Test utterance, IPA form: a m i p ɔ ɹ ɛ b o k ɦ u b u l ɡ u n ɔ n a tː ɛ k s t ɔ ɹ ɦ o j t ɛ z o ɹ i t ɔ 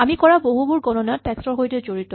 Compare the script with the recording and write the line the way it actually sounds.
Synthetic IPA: a m i k ɔ ɹ a b o ɦ u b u ɹ ɡ ɔ n ɔ n a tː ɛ k s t ɔ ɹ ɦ o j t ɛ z o ɹ i t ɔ

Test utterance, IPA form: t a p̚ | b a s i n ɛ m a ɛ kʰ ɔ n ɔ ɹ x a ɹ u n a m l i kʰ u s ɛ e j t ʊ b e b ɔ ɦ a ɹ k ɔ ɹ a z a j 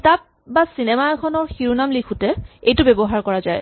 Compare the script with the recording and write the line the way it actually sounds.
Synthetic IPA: t a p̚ | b a s i n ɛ m a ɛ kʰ ɔ n ɔ ɹ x i ɹ u n a m l i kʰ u t ɛ e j t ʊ b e b ɔ ɦ a ɹ k ɔ ɹ a z a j

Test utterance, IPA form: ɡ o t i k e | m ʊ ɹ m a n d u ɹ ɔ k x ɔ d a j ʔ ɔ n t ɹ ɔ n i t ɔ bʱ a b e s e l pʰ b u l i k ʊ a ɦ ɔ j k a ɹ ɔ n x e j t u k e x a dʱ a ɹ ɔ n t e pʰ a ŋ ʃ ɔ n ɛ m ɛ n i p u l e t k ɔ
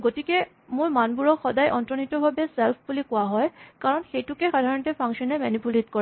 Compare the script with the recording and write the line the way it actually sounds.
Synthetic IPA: ɡ o t i k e | m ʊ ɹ m a n b u ɹ ɔ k x ɔ d a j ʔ ɔ n t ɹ ɔ n i t ɔ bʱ a b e s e l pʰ b u l i k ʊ a ɦ ɔ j k a ɹ ɔ n x e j t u k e x a dʱ a ɹ ɔ n t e pʰ a ŋ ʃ ɔ n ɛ m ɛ n i p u l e t k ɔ

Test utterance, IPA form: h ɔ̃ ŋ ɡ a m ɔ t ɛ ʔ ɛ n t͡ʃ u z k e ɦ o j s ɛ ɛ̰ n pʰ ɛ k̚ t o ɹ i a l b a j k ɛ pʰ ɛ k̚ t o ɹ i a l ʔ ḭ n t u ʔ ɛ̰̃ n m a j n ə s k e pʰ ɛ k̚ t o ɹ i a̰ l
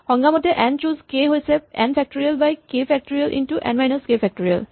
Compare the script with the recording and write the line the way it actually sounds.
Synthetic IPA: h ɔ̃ ŋ ɡ a m ɔ t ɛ ʔ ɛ n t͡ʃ u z k e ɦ o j s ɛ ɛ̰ n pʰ ɛ k̚ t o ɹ i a l b a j k e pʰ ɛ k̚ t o ɹ i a l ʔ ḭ n t u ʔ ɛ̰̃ n m a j n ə s k e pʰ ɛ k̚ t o ɹ i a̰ l

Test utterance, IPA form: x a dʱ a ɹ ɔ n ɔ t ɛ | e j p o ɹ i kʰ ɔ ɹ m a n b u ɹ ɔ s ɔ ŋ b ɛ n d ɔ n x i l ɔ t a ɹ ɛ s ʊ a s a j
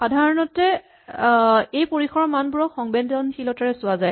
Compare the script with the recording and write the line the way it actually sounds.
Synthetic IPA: x a dʱ a ɹ ɔ n ɔ t ɛ | e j p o ɹ i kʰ ɔ ɹ m a n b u ɹ ɔ x ɔ ŋ b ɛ n d ɔ n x i l ɔ t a ɹ ɛ s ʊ a z a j

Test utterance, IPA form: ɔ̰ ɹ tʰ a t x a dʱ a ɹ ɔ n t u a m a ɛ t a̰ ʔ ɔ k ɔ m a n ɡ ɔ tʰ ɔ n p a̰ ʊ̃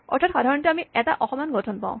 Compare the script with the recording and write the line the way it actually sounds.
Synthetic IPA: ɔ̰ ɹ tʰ a t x a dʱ a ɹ ɔ n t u a m i ɛ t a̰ ʔ ɔ x ɔ m a n ɡ ɔ tʰ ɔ n p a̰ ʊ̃

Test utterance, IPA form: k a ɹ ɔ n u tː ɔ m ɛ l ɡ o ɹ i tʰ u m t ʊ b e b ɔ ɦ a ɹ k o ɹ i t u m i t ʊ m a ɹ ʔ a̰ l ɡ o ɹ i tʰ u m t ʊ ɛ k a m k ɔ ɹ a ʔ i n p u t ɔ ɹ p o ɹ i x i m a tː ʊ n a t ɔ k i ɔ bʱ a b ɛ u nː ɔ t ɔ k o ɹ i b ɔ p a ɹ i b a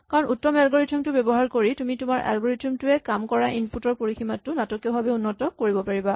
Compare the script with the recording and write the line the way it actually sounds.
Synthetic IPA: k a ɹ ɔ n u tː ɔ m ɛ l ɡ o ɹ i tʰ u m t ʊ b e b ɔ ɦ a ɹ k o ɹ i t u m i t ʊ m a ɹ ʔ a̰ l ɡ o ɹ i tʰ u m t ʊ ɛ k a m k ɔ ɹ a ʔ i n p u t ɔ ɹ p o ɹ i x i m a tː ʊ n a t ɔ k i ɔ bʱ a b ɛ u nː ɔ t ɔ k o ɹ i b ɔ p a ɹ i b a

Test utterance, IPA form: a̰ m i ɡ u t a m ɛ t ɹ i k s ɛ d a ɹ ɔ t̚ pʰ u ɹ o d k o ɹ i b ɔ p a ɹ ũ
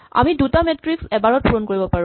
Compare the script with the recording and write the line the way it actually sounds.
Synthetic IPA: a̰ m i d u t a m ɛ t ɹ i k s ɛ b a ɹ ɔ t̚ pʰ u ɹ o n k o ɹ i b ɔ p a ɹ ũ

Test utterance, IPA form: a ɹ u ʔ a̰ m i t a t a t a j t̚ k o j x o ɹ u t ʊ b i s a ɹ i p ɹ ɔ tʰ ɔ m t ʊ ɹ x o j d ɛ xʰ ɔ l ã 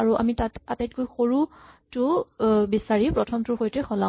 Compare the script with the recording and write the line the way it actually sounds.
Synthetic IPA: a ɹ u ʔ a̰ m i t a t a t a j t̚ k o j x o ɹ u t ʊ b i s a ɹ i p ɹ ɔ tʰ ɔ m t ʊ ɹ x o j t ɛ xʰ ɔ l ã

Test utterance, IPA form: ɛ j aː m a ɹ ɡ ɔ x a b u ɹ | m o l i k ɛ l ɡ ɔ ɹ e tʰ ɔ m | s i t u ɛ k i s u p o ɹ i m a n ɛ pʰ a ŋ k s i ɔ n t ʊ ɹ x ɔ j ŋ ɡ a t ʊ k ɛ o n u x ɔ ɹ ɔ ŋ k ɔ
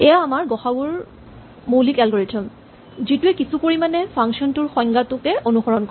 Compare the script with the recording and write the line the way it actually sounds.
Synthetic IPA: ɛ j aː m a ɹ ɡ ɔ x a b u ɹ | m o l i k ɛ l ɡ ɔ ɹ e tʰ ɔ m | z i t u ɛ k i s u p o ɹ i m a n ɛ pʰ a ŋ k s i ɔ n t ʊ ɹ x ɔ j ŋ ɡ a t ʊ k ɛ o n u x ɔ ɹ ɔ n k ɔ

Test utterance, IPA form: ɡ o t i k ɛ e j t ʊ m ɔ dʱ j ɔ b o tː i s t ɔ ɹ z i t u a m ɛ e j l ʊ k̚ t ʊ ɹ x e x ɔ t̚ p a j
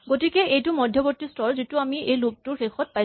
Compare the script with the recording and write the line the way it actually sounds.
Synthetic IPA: ɡ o t i k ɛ e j t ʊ m ɔ dʱ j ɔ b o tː i s t ɔ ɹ z i t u a m i e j l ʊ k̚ t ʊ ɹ x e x ɔ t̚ p a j

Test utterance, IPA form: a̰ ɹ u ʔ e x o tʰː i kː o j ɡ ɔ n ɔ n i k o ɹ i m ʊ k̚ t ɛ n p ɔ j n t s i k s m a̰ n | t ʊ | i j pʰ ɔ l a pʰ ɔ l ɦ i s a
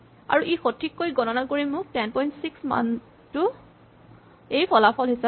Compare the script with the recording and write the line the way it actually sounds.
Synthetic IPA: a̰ ɹ u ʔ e x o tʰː i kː o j ɡ ɔ n ɔ n a k o ɹ i m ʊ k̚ t ɛ n p ɔ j n t s i k s m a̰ n | t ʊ | e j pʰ ɔ l a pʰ ɔ l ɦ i s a

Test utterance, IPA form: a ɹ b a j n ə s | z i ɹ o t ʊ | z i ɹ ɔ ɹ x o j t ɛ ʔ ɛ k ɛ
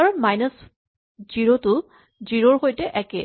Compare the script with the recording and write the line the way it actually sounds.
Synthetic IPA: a ɹ m a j n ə s | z i ɹ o t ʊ | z i ɹ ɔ ɹ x o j t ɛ ʔ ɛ k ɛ

